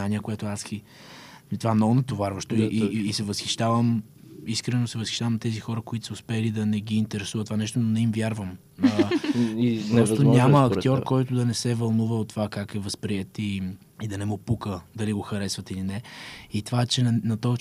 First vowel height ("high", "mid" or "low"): low